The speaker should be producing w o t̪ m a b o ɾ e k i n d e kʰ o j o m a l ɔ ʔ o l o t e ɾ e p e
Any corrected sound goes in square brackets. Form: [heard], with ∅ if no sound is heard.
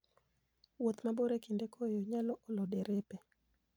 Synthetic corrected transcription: w o t̪ m a b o ɾ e k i n d e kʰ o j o [ɲ] a l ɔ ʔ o l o [d] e ɾ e p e